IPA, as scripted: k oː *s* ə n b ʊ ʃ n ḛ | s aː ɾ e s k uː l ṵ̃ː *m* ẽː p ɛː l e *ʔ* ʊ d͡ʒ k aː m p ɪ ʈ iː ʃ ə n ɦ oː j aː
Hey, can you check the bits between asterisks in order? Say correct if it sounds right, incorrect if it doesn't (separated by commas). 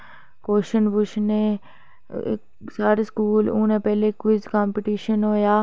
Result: incorrect, incorrect, incorrect